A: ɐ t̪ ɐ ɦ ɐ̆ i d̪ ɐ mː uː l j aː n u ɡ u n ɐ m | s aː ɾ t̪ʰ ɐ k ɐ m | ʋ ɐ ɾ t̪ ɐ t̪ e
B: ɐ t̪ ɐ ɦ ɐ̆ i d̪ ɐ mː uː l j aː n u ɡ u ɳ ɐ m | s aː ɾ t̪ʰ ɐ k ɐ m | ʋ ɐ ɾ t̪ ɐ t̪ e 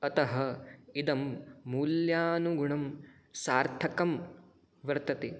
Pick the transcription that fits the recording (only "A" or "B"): B